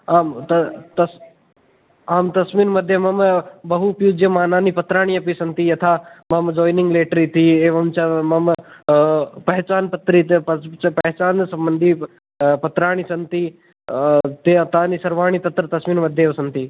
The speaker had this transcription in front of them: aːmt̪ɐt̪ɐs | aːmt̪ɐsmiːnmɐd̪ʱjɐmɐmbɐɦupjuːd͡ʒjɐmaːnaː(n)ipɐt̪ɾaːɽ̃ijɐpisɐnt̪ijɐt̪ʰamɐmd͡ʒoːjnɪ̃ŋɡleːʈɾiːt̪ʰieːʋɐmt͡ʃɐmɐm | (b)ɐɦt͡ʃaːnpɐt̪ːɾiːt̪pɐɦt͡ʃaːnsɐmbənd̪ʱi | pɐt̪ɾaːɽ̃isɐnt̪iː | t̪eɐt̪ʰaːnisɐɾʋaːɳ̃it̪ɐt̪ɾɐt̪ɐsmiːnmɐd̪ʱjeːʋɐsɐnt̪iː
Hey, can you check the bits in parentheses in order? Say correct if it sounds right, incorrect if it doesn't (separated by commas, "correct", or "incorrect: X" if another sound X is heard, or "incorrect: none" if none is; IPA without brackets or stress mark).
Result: correct, incorrect: p